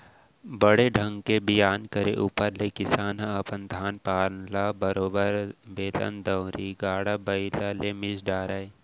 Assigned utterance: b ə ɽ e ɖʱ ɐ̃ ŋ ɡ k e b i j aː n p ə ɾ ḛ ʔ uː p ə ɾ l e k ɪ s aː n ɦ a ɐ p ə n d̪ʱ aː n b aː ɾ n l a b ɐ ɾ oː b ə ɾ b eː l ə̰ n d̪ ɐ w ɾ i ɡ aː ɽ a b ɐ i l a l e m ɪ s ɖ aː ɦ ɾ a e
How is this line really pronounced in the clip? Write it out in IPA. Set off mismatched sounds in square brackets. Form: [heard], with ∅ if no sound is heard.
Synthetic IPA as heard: b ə ɽ e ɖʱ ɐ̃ ŋ ɡ k e b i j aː n [k] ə ɾ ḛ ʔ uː p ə ɾ l e k ɪ s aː n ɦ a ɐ p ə n d̪ʱ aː n [p] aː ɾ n l a b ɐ ɾ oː b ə ɾ b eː l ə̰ n d̪ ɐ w ɾ i ɡ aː ɽ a b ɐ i l a l e m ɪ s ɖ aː [∅] ɾ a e